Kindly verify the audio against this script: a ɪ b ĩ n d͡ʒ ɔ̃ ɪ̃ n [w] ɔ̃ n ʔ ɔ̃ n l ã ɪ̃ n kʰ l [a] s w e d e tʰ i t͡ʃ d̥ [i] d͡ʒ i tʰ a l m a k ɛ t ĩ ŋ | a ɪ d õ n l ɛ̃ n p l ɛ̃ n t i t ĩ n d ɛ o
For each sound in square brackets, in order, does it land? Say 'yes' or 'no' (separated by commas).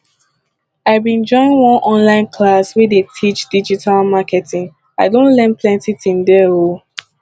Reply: yes, yes, yes